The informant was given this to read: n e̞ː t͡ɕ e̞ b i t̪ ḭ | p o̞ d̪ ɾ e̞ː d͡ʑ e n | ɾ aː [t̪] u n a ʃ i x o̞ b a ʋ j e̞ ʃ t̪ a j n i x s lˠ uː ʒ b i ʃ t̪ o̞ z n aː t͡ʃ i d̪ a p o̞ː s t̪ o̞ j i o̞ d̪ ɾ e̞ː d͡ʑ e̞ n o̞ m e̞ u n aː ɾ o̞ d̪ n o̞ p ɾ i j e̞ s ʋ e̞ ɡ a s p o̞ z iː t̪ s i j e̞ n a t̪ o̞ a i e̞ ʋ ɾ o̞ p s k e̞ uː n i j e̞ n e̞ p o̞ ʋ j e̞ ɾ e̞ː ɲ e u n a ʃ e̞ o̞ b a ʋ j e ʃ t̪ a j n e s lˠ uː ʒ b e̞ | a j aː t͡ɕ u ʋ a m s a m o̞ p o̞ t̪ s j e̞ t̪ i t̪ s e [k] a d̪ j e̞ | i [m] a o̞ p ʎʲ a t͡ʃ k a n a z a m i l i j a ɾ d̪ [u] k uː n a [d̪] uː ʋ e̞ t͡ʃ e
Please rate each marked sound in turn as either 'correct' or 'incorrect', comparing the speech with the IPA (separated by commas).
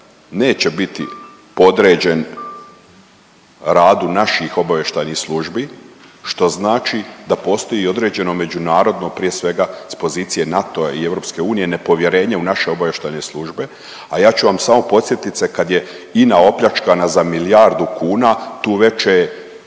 incorrect, correct, incorrect, correct, incorrect